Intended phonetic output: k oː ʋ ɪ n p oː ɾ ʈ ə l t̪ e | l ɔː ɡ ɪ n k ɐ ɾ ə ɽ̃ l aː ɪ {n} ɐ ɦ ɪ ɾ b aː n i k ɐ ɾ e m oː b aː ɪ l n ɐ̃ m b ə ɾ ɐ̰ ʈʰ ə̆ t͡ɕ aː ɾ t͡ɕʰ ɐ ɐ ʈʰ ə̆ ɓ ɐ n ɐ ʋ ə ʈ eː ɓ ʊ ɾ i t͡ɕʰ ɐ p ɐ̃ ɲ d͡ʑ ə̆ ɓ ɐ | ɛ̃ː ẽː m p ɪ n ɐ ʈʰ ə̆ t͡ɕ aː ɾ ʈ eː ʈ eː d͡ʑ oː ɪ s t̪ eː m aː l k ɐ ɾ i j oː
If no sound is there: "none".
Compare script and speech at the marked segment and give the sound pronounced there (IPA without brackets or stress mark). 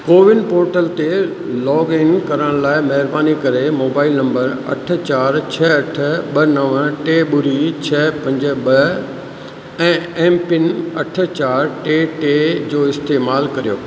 m